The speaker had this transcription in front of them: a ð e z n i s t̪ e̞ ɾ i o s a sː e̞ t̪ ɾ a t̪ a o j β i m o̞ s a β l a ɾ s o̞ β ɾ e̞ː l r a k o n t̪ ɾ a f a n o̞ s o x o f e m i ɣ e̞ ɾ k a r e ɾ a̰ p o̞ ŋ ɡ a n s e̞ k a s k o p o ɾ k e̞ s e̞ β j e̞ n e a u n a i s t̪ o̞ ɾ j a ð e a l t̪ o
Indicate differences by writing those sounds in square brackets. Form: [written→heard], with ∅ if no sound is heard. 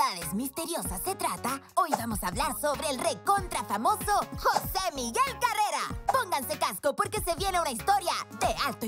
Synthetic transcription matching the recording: a ð e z [n→m] i s t̪ e̞ ɾ [i→j] o s a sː e̞ t̪ ɾ a t̪ a o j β [i→a] m o̞ s a β l a ɾ s o̞ β ɾ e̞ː l r [a→e] k o n t̪ ɾ a f a [n→m] o̞ s o x o [f→s] e m i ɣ e̞ [ɾ→l] k a r e ɾ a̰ p o̞ ŋ ɡ a n s e̞ k a s k o p o ɾ k e̞ s e̞ β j e̞ n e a u n a i s t̪ o̞ ɾ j a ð e a l t̪ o